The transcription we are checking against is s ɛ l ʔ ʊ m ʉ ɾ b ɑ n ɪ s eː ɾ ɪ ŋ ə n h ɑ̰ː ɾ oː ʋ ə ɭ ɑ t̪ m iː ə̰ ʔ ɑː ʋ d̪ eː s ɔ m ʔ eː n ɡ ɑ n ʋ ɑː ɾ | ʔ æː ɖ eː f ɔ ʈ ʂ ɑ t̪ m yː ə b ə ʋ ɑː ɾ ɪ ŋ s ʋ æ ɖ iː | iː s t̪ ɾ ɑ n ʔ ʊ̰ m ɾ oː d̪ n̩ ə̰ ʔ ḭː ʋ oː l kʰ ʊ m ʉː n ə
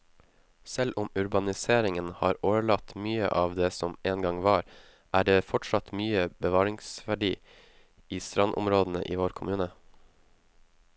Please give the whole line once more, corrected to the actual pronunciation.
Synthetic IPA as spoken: s ɛ l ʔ ʊ m ʉ ɾ b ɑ n ɪ s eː ɾ ɪ ŋ ə n h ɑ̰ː ɾ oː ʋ ə ɭ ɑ t̪ m yː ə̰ ʔ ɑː ʋ d̪ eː s ɔ m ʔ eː n ɡ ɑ ŋ ʋ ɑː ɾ | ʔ æː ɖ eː f ɔ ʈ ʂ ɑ t̪ m yː ə b ə ʋ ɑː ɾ ɪ ŋ s ʋ æ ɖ iː | iː s t̪ ɾ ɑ n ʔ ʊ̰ m ɾ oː d̪ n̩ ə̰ ʔ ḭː ʋ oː ɾ kʰ ʊ m ʉː n ə